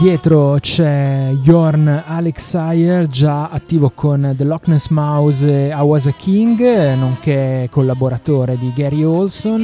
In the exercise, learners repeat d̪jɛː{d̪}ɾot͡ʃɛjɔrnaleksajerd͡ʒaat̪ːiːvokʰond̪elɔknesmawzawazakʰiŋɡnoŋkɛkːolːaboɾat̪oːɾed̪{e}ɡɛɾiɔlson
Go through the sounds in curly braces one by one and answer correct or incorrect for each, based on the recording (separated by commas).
incorrect, incorrect